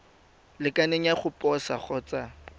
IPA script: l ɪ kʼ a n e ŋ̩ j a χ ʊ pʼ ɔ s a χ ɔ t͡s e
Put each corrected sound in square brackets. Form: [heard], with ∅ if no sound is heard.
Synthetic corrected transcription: l ɪ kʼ a n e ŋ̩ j a χ ʊ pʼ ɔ s a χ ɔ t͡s [a]